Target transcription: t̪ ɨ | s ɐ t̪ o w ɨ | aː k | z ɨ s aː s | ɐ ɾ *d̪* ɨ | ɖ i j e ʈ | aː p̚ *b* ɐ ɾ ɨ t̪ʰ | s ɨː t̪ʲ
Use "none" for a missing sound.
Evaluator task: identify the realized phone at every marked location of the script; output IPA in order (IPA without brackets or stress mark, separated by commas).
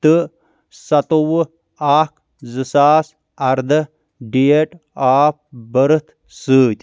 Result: d̪, b